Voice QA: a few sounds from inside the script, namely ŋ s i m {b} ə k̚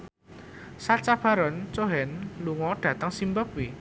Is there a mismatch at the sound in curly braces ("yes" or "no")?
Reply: no